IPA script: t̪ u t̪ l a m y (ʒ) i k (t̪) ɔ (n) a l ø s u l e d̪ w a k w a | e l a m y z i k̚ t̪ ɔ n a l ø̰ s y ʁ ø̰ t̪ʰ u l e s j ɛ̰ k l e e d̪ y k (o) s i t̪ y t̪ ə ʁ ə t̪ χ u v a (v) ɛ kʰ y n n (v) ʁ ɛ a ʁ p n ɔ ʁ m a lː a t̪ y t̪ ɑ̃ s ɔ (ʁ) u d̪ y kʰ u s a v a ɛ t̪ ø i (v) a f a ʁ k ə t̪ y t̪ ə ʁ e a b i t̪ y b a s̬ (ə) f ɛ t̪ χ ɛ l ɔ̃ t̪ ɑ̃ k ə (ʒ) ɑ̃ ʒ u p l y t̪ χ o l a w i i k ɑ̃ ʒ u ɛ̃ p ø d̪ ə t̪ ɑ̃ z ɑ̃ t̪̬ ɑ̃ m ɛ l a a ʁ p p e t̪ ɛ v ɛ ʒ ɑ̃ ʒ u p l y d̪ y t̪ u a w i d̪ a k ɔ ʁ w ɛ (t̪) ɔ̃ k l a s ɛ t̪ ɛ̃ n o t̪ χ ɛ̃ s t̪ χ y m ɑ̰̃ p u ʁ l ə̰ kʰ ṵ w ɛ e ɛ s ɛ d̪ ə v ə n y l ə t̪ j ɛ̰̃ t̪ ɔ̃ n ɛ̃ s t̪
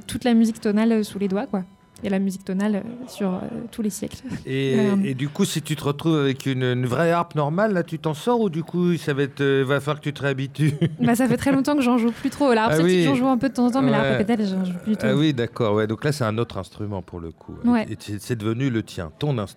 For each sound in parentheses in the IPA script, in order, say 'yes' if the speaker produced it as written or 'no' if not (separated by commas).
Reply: no, yes, yes, no, yes, yes, yes, yes, no, yes, no